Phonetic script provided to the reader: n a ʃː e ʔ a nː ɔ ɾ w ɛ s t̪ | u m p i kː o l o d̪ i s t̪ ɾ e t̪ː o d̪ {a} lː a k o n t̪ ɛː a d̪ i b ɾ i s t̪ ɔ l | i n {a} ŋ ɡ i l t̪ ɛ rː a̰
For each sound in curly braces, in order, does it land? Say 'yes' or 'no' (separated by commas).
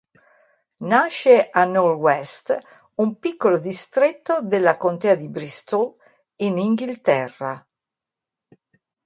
no, no